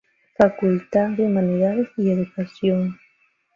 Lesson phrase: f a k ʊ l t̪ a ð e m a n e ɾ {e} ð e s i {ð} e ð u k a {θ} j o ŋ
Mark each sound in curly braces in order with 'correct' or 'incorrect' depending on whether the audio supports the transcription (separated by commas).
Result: incorrect, incorrect, incorrect